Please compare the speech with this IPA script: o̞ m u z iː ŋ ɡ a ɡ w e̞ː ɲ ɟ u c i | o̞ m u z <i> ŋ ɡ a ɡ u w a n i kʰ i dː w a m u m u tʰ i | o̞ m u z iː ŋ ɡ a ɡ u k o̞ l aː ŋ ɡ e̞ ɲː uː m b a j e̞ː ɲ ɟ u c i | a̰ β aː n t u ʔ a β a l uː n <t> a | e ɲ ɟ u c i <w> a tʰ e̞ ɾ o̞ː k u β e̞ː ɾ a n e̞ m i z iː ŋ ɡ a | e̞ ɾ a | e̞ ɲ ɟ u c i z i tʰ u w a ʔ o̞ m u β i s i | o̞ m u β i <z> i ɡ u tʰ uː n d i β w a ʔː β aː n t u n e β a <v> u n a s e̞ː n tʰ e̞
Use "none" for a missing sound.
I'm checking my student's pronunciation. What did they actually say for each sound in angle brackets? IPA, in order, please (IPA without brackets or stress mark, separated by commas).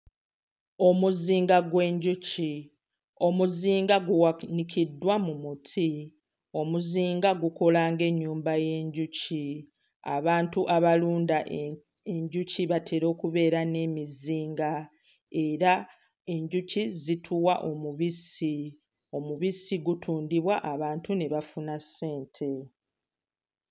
iː, d, β, s, f